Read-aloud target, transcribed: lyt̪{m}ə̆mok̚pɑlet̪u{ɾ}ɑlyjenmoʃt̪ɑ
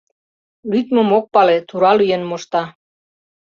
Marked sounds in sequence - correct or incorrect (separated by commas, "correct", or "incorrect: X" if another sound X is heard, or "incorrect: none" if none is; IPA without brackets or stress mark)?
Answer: correct, correct